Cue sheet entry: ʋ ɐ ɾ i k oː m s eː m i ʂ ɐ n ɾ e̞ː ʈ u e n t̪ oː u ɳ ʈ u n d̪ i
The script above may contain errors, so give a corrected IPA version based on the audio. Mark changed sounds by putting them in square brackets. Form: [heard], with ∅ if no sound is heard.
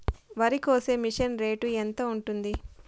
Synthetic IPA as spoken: ʋ ɐ ɾ i k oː [∅] s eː m i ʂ ɐ n ɾ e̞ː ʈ u e n t̪ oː u ɳ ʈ u n d̪ i